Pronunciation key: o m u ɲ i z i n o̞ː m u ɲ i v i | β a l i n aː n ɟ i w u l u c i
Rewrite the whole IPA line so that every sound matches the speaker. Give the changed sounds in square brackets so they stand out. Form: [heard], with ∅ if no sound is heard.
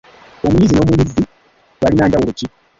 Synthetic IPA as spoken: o m u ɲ i z i n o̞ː m u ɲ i [z] i | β a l i n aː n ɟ [a] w u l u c i